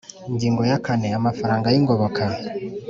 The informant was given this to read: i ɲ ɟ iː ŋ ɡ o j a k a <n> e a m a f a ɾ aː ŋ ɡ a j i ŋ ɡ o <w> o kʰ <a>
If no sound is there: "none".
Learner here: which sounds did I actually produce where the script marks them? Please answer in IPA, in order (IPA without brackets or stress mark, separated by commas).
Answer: n, β, a